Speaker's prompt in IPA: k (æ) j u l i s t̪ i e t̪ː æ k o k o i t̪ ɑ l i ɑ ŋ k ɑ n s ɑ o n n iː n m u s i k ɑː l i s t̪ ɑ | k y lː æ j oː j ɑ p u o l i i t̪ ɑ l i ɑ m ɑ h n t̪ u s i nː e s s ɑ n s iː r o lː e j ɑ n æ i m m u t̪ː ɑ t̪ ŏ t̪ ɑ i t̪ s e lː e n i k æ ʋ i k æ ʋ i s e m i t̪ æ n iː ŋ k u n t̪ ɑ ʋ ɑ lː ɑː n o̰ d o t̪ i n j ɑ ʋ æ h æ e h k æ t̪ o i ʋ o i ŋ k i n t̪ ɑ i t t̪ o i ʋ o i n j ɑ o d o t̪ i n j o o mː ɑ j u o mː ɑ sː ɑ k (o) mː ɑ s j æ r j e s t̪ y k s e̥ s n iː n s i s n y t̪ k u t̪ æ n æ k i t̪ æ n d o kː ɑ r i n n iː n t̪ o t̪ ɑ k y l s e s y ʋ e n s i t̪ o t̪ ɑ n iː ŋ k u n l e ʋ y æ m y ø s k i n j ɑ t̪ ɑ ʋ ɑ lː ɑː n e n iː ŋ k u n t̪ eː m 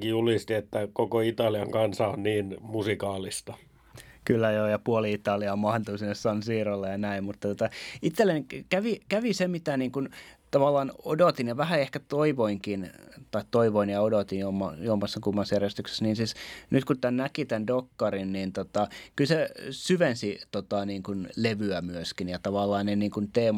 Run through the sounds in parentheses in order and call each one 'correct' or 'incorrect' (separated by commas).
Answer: incorrect, incorrect